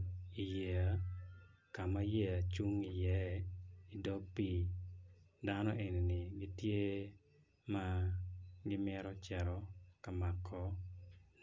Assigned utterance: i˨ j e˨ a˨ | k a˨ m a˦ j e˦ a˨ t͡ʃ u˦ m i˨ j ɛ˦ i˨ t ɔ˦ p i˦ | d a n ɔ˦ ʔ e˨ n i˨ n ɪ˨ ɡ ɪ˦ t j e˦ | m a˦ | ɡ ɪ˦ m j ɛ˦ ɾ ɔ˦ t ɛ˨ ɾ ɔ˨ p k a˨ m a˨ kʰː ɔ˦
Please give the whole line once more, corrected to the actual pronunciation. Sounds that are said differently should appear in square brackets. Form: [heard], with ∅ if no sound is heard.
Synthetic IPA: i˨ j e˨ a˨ | k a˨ m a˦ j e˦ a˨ t͡ʃ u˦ [ŋ] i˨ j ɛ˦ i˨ [d] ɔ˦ p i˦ | d a n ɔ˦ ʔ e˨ n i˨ n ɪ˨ ɡ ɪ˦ t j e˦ | m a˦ | ɡ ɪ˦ m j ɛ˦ ɾ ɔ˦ [t͡ʃ] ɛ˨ ɾ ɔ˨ [∅] k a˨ m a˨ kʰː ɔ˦